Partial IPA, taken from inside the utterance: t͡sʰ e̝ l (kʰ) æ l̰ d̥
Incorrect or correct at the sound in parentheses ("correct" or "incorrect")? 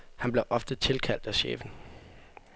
correct